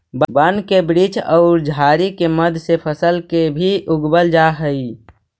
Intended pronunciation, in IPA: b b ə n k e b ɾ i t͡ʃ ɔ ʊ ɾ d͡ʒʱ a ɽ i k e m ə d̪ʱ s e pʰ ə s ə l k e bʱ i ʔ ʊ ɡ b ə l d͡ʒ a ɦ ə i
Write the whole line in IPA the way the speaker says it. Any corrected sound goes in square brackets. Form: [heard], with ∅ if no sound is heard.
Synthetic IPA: b b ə n k e b ɾ i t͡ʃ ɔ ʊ ɾ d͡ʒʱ a [ɾ] i k e m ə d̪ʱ s e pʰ ə s ə l k e bʱ i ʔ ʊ ɡ b ə l d͡ʒ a ɦ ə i